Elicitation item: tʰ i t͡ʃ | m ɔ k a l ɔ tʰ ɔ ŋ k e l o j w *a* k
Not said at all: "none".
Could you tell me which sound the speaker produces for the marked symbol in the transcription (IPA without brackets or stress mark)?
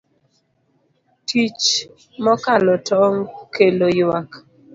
a